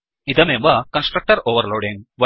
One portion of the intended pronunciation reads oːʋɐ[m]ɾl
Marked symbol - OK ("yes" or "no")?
no